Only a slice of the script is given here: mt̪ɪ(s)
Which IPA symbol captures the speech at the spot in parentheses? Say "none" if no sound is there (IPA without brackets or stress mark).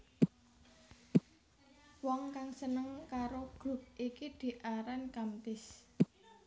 s